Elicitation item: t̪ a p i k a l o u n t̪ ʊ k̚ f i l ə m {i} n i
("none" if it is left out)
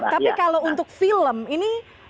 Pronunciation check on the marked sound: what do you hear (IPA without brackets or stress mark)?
i